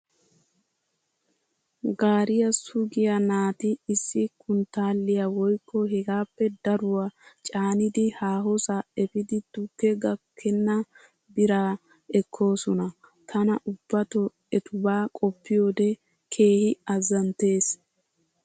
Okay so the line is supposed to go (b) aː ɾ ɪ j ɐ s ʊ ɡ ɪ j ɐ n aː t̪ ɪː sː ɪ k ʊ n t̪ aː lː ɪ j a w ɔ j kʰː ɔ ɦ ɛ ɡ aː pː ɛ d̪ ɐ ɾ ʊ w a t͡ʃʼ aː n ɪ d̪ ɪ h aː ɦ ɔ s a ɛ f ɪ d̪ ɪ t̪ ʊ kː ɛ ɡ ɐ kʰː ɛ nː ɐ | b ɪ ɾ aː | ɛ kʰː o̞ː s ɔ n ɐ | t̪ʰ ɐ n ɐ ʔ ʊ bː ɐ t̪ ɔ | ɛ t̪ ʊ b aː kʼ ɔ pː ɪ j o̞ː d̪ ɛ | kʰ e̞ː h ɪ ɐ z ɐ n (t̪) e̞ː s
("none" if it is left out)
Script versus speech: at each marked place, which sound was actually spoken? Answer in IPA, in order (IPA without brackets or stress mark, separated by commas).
ɡ, t̪